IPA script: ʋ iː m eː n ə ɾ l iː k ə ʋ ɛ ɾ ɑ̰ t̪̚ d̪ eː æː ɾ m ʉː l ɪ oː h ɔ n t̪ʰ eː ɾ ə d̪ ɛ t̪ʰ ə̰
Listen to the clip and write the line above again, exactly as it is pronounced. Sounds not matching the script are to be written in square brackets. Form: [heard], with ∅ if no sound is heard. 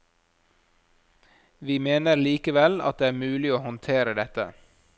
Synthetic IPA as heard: ʋ iː m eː n ə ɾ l iː k ə ʋ ɛ [l] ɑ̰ t̪̚ d̪ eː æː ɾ m ʉː l ɪ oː h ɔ n t̪ʰ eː ɾ ə d̪ ɛ [t̪] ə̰